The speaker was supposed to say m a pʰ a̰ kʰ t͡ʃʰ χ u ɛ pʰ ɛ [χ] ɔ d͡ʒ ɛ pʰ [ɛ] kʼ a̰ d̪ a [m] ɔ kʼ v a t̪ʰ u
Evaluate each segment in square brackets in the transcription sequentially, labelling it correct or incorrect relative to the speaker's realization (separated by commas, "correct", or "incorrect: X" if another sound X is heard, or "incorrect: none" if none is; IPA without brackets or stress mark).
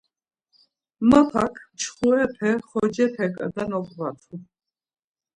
correct, correct, incorrect: n